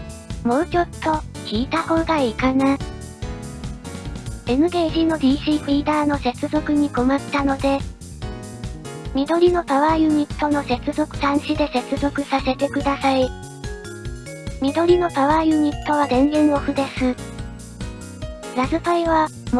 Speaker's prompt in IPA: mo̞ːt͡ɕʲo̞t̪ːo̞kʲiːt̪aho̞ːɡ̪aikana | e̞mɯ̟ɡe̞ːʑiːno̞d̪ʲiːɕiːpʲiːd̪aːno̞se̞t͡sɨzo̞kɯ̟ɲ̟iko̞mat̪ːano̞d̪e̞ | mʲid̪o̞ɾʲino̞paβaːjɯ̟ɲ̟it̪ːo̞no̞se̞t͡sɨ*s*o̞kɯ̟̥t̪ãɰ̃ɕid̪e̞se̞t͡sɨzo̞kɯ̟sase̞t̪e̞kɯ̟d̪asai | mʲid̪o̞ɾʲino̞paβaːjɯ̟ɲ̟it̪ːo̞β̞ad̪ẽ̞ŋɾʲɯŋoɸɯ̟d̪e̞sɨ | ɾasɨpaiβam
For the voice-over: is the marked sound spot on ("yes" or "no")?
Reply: no